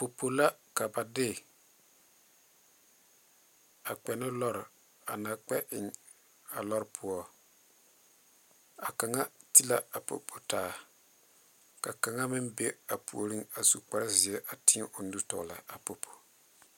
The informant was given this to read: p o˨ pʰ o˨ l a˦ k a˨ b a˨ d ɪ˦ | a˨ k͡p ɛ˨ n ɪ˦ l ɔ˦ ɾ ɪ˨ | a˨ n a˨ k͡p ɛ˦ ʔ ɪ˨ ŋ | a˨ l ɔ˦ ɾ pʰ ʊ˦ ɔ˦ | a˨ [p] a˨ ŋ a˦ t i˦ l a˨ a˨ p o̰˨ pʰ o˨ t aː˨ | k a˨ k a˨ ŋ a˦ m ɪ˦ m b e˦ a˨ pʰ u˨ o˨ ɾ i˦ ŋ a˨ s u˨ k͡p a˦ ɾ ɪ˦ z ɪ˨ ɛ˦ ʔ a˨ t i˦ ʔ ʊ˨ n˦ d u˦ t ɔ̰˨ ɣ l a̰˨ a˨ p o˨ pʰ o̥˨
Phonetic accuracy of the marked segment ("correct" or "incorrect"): incorrect